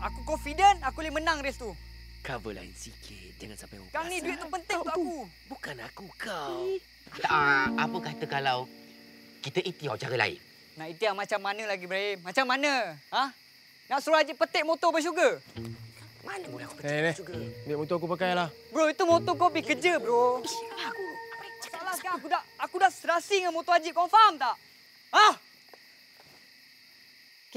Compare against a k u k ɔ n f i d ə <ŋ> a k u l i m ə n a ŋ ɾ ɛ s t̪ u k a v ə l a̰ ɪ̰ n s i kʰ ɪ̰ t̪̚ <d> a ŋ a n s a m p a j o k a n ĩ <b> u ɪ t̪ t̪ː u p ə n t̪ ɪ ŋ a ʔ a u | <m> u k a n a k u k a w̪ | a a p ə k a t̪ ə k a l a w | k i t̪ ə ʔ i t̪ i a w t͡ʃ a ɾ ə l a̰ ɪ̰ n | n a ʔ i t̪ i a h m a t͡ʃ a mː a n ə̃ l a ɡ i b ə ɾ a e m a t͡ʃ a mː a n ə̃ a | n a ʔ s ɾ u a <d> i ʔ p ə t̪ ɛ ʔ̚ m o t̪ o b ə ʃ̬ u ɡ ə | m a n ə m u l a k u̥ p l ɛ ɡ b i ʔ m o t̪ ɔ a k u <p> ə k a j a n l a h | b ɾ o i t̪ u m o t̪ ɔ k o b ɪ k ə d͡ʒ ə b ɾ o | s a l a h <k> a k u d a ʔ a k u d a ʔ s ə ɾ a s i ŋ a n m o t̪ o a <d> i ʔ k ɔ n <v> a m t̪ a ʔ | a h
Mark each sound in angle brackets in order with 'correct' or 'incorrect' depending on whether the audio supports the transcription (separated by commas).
incorrect, incorrect, incorrect, incorrect, incorrect, correct, correct, incorrect, incorrect